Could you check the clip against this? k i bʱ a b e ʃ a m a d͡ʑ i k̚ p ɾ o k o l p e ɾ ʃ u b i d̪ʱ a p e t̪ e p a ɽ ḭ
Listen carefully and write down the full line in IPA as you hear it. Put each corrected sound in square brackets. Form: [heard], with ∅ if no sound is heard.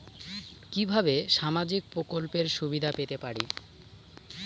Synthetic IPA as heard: k i bʱ a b e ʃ a m a d͡ʑ i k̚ p ɾ o k o l p e ɾ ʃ u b i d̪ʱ a p e t̪ e p a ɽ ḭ

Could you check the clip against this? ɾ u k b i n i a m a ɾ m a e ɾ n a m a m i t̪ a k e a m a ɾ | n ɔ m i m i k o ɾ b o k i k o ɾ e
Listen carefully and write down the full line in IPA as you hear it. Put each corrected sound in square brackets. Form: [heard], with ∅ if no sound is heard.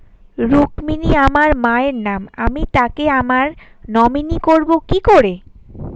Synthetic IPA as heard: ɾ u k [m] i n i a m a ɾ m a e ɾ n a m a m i t̪ a k e a m a ɾ | n ɔ m i [n] i k o ɾ b o k i k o ɾ e

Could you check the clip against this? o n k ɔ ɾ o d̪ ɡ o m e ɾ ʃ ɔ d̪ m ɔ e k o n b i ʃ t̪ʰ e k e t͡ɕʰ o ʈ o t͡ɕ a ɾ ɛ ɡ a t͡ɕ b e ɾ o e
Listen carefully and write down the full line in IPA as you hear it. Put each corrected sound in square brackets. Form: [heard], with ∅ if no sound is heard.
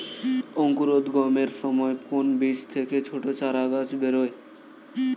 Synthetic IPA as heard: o [ŋ] k [u] ɾ o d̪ ɡ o m e ɾ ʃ ɔ [∅] m ɔ e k o n b i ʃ t̪ʰ e k e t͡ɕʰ o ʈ o t͡ɕ a ɾ [a] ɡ a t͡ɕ b e ɾ o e

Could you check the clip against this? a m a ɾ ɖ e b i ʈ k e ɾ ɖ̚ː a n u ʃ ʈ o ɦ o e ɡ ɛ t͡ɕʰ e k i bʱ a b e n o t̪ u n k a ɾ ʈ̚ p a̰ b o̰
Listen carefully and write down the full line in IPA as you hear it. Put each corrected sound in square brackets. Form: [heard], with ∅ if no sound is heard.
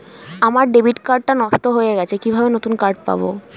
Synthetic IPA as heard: a m a ɾ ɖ e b i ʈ k [a] ɾ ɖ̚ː a n [ɔ] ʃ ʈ o ɦ o e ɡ ɛ t͡ɕʰ e k i bʱ a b e n o t̪ u n k a ɾ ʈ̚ p a̰ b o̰

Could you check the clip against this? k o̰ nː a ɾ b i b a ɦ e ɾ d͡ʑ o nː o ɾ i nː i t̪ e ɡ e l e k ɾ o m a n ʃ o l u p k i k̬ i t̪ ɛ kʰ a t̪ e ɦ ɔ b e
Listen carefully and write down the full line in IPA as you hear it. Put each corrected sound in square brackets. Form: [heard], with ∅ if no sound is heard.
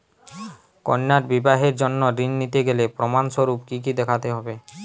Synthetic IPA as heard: k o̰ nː a ɾ b i b a ɦ e ɾ d͡ʑ o nː o ɾ i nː i t̪ e ɡ e l e [p] ɾ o m a n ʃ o [ɾ] u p k i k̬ i [d̪] ɛ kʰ a t̪ e ɦ ɔ b e

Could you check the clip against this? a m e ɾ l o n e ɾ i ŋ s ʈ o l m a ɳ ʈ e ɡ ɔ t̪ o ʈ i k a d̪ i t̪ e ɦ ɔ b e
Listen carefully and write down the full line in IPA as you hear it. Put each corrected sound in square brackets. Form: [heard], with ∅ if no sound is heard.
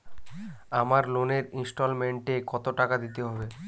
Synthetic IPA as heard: a m [a] ɾ l o n e ɾ i [n] s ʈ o l m [e] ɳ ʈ e [k] ɔ t̪ o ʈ [a] k a d̪ i t̪ e ɦ ɔ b e

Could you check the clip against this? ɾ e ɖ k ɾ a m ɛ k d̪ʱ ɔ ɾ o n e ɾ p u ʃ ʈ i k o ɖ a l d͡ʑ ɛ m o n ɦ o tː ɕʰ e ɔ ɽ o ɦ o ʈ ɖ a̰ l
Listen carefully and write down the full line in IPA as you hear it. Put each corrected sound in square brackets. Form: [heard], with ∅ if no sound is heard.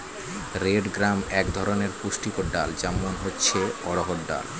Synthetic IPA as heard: ɾ e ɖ [ɡ] ɾ a m ɛ k d̪ʱ ɔ ɾ o n e ɾ p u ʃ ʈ i k o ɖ a l d͡ʑ ɛ m o n ɦ o tː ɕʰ e ɔ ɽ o ɦ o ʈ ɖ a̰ l

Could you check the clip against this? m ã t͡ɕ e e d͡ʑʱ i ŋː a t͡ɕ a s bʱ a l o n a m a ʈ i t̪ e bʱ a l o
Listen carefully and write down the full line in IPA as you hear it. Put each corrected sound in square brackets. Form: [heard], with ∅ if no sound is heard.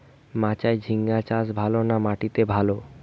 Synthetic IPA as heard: m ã t͡ɕ [a] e d͡ʑʱ i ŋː a t͡ɕ a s bʱ a l o n a m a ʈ i t̪ e bʱ a l o

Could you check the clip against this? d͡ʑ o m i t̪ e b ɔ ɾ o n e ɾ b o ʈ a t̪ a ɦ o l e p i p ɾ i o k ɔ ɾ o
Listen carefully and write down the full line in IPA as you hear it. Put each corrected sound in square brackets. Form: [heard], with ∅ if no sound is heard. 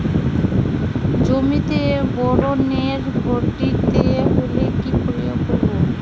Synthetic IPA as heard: d͡ʑ o m i t̪ e b ɔ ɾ o n e ɾ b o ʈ [i] t̪ [e] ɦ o l e [k] i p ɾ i o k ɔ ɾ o

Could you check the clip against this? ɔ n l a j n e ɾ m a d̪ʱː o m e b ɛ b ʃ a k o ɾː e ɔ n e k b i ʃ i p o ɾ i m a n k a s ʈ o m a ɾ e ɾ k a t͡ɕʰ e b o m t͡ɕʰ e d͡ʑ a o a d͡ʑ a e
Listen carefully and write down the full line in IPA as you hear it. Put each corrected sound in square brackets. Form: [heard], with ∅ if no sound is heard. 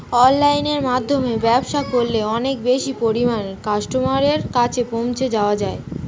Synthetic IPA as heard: ɔ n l a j n e ɾ m a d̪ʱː o m e b ɛ b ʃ a k o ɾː e ɔ n e k b [e] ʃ i p o ɾ i m a n k a [ʃ] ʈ o m a ɾ e ɾ k a t͡ɕʰ e [p] o m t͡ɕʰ e d͡ʑ a o a d͡ʑ a e

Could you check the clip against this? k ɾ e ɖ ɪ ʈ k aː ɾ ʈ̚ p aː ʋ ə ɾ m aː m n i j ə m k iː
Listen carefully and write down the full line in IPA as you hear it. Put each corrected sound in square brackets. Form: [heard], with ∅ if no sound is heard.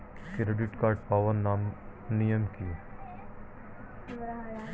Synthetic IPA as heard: k ɾ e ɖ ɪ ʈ k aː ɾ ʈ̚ p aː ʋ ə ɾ [n] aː m n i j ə m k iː

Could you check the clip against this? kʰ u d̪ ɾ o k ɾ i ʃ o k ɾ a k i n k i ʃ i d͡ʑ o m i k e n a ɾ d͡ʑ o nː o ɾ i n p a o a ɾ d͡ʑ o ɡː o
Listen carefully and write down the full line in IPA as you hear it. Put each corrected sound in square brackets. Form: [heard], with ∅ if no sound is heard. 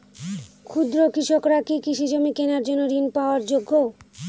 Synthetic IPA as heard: kʰ u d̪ ɾ o k ɾ i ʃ o k ɾ a k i [∅] k i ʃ i d͡ʑ o m i k e n a ɾ d͡ʑ o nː o ɾ i n p a o a ɾ d͡ʑ o ɡː o

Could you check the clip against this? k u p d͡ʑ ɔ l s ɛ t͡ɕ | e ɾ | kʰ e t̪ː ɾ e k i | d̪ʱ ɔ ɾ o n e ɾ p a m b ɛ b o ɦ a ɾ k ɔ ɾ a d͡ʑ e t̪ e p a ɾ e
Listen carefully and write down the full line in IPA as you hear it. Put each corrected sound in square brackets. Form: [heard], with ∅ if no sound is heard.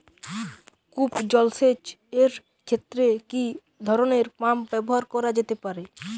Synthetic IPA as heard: k u p d͡ʑ ɔ l s [e] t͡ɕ | e ɾ | kʰ e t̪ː ɾ e k i | d̪ʱ ɔ ɾ o n e ɾ p a m b ɛ b o ɦ a ɾ k ɔ ɾ a d͡ʑ e t̪ e p a ɾ e

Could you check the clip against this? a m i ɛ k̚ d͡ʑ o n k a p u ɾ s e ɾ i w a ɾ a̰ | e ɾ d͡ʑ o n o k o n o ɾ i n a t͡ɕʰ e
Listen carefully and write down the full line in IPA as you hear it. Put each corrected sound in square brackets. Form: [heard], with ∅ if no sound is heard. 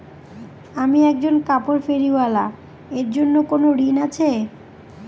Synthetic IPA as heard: a m i ɛ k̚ d͡ʑ o n k a p [o] ɾ [f] e ɾ i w a [l] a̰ | e ɾ d͡ʑ o [nː] o k o n o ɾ i n a t͡ɕʰ e

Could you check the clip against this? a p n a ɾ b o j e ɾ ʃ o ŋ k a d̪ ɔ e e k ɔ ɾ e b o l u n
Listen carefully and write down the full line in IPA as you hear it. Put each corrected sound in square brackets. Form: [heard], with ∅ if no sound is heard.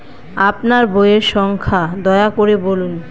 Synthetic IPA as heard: a p n a ɾ b o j e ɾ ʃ [ɔ] ŋ [kʰ] a d̪ ɔ e [a] k [o] ɾ e b o l u n

